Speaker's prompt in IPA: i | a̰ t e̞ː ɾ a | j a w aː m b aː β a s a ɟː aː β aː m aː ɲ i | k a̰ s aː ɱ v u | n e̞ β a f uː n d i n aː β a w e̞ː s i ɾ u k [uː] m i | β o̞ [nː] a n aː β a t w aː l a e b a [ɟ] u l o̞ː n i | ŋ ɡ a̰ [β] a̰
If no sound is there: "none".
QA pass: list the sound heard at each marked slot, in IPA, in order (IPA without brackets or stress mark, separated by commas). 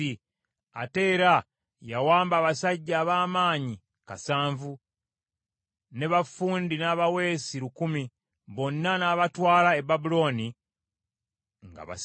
u, nː, b, β